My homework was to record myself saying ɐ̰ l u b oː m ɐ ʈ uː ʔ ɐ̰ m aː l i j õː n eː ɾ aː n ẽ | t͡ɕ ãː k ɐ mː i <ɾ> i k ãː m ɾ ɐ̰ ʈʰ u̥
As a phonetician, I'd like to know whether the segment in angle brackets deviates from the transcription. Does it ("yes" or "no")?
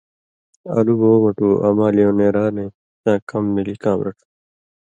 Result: yes